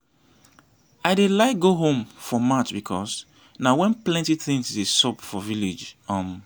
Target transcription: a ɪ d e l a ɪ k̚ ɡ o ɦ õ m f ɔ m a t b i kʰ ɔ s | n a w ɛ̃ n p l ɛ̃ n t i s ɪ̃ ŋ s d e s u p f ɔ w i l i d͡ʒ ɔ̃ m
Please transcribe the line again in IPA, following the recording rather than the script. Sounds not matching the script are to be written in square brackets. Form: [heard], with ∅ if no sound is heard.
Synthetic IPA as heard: a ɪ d e l a ɪ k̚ ɡ o ɦ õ m f ɔ m a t b i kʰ ɔ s | n a w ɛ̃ n p l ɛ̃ n t i [θ] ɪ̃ ŋ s d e s [ɔ] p f ɔ [v] i l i d͡ʒ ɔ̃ m